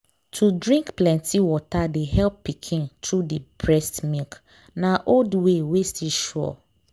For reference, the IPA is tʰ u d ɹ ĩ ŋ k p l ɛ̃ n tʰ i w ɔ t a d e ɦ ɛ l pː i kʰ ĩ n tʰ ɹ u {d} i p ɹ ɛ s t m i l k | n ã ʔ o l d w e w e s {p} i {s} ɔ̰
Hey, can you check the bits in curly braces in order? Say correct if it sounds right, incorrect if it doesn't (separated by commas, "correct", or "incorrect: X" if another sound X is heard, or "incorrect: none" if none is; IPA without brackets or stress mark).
correct, incorrect: t, incorrect: ʃ